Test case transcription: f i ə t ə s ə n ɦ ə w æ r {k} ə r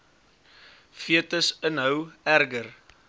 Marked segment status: incorrect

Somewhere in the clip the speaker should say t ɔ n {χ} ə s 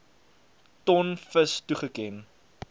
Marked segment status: incorrect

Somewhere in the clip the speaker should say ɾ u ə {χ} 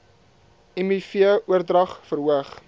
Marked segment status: correct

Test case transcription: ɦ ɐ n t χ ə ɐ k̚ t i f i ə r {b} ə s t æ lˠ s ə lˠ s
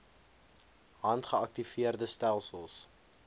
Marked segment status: incorrect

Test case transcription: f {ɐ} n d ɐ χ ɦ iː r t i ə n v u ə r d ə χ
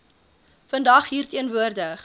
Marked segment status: incorrect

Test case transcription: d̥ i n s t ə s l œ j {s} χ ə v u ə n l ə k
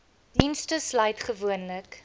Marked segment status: incorrect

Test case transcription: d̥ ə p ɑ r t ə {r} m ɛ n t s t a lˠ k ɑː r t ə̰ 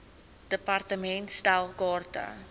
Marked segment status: incorrect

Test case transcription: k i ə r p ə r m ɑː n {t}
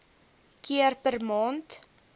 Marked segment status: correct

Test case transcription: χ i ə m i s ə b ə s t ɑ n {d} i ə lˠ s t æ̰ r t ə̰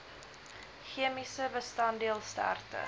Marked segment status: correct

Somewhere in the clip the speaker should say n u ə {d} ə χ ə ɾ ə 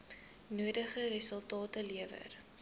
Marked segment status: correct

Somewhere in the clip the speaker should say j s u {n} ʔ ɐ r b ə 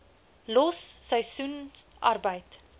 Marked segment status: correct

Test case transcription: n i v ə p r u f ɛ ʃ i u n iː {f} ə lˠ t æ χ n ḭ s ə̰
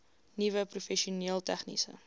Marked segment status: incorrect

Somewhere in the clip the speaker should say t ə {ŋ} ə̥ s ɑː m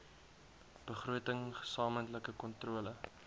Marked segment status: correct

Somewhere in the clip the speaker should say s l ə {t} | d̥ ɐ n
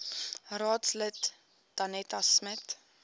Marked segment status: correct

